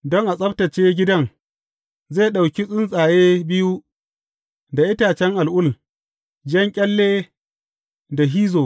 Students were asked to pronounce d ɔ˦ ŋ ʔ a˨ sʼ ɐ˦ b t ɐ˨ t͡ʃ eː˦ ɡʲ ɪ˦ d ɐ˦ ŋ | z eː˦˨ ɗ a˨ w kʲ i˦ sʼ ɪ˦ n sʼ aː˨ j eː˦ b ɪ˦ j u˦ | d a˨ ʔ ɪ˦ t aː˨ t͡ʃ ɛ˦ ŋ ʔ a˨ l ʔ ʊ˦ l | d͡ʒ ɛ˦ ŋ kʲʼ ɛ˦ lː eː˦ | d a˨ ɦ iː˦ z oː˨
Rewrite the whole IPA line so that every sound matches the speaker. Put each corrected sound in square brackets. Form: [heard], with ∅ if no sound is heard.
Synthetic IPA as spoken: d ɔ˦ ŋ ʔ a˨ sʼ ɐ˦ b t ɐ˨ t͡ʃ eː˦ ɡʲ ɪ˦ d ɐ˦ ŋ | z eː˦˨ ɗ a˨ w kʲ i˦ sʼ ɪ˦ n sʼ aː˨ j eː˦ b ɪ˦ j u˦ | d a˨ ʔ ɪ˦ t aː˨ t͡ʃ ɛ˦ ŋ ʔ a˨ l ʔ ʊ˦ l | d͡ʒ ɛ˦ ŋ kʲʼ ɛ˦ lː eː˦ | d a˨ ɦ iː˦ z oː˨